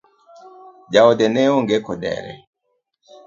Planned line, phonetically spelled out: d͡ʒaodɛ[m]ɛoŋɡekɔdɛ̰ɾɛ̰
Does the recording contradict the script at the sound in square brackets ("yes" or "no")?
yes